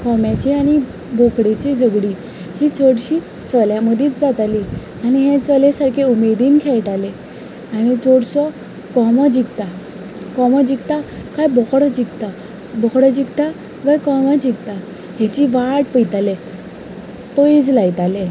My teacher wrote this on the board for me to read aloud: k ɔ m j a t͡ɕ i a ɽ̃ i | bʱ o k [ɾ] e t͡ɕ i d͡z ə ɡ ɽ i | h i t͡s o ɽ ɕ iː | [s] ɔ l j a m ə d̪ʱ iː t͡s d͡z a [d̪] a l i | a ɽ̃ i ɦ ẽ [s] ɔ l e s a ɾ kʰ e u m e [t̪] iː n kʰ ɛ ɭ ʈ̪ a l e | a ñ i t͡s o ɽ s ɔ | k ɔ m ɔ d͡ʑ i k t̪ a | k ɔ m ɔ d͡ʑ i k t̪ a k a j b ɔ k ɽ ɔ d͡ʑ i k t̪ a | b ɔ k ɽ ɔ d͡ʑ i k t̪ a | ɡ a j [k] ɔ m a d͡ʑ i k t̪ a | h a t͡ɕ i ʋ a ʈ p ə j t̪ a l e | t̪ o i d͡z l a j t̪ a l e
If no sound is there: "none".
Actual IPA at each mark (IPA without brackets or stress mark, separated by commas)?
ɽ, t͡s, t̪, t͡s, d̪, k